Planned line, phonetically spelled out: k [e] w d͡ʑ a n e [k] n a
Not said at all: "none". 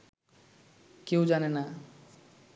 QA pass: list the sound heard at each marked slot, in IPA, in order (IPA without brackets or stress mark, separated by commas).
e, none